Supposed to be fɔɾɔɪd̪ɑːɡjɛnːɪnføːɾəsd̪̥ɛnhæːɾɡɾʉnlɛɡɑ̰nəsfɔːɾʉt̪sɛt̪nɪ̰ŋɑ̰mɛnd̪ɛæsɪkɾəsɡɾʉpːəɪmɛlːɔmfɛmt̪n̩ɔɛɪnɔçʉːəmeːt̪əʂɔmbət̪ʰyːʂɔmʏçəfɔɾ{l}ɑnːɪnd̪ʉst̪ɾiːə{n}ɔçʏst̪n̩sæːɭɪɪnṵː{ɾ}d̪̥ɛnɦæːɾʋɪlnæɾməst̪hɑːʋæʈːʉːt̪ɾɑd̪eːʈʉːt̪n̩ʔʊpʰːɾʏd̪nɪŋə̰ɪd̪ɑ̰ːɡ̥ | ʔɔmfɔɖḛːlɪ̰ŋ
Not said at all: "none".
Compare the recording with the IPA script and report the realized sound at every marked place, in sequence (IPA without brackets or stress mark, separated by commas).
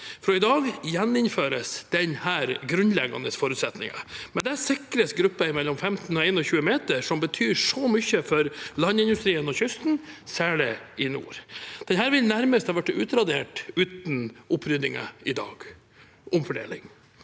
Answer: l, n, ɾ